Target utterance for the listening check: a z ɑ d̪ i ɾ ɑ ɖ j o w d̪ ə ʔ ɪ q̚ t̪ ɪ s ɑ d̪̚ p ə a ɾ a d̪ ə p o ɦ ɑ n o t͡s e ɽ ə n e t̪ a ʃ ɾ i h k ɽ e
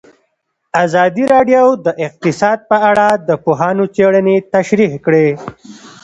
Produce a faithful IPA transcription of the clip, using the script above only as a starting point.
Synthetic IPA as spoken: a z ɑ d̪ i ɾ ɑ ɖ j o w d̪ ə ʔ ɪ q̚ t̪ ɪ s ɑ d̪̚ p ə a ɽ a d̪ ə p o ɦ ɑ n o t͡s e ɽ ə n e t̪ a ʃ ɾ i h k ɽ e